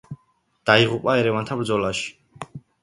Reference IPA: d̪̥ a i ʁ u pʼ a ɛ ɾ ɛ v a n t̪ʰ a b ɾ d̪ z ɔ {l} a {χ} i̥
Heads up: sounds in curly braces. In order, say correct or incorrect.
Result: correct, incorrect

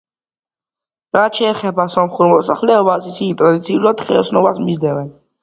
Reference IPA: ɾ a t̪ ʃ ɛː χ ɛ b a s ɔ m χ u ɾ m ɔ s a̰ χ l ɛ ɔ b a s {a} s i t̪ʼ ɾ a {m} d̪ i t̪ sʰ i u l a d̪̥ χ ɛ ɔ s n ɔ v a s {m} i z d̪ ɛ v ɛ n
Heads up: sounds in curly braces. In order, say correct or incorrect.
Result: incorrect, incorrect, correct

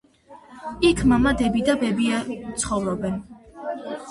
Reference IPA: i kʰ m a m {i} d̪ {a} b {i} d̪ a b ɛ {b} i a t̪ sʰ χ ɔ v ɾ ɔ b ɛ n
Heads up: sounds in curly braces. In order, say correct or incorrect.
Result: incorrect, incorrect, correct, correct

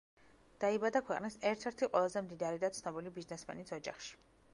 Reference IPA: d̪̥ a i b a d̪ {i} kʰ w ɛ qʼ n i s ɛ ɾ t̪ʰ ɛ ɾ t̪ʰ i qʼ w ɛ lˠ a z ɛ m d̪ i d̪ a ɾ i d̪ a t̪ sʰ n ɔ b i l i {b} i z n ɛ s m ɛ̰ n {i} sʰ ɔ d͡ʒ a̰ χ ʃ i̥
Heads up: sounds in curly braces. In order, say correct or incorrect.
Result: incorrect, correct, correct

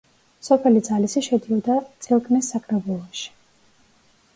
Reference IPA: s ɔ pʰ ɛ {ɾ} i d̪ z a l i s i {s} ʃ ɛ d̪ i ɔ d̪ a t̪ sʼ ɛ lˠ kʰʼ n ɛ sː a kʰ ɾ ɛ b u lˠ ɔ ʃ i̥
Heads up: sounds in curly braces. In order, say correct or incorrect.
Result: incorrect, incorrect

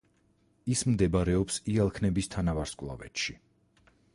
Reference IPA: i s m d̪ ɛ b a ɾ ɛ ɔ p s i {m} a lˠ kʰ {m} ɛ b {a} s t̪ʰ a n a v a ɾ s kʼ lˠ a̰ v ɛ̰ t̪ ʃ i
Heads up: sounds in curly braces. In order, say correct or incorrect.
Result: incorrect, incorrect, incorrect

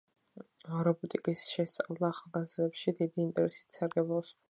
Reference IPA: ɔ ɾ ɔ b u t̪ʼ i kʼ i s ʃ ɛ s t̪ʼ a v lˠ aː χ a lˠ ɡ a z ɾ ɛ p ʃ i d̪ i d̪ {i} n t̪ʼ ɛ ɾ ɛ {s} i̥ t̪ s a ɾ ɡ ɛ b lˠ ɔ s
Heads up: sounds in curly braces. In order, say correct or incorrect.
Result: incorrect, correct

